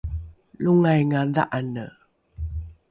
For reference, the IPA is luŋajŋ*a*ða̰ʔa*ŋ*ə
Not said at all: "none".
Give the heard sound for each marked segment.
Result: a, n

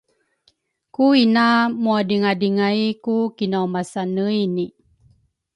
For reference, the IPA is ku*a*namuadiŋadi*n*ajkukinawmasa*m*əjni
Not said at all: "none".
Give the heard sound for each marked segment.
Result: i, ŋ, n

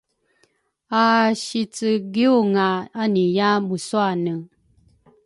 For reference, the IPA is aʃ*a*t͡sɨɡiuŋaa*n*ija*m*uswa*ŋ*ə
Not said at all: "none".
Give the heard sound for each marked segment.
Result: i, n, m, n

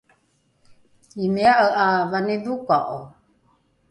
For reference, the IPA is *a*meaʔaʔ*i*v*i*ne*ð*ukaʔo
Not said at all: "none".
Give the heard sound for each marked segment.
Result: i, a, a, ð

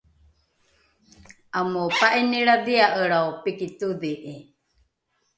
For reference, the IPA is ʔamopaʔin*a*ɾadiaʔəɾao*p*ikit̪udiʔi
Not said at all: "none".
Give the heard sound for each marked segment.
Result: i, p

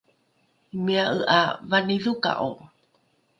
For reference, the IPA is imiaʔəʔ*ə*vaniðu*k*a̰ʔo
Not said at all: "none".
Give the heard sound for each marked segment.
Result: a, k

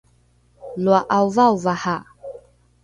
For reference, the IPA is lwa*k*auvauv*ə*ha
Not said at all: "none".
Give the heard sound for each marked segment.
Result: ʔ, a

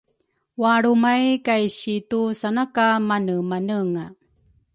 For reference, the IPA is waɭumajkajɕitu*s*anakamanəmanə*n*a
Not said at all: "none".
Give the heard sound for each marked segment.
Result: s, ŋ

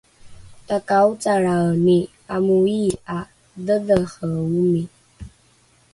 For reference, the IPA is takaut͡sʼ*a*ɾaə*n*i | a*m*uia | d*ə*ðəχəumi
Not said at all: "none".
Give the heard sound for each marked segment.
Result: a, n, m, ə

